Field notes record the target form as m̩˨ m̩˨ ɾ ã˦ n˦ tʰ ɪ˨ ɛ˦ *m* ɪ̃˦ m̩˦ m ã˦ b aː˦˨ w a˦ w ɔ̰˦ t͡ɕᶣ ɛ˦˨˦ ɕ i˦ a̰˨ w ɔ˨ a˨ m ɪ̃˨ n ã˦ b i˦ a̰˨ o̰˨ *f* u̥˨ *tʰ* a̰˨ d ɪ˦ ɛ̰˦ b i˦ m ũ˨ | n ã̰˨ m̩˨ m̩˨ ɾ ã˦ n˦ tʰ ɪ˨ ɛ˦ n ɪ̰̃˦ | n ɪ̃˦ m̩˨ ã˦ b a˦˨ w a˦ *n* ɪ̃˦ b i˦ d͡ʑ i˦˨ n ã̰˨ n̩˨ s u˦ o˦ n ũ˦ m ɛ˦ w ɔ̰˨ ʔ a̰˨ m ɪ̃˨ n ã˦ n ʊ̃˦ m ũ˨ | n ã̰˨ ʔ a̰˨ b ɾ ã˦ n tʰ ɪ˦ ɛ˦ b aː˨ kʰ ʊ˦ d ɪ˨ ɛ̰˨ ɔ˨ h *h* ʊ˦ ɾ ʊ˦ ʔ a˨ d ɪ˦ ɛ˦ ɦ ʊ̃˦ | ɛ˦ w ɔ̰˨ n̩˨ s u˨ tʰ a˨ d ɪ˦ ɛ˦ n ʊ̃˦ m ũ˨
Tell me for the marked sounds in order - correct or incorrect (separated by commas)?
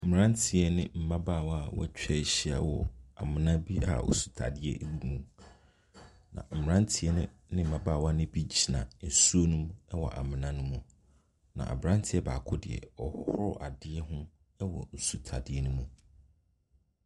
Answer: incorrect, incorrect, correct, correct, correct